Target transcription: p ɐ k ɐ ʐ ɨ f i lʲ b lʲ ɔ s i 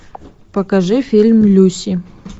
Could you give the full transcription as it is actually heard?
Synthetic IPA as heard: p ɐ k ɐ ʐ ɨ f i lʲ m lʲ u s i